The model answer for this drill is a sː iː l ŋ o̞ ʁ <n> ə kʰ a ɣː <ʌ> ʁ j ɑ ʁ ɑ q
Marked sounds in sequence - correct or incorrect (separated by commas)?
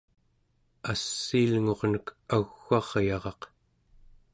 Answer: correct, incorrect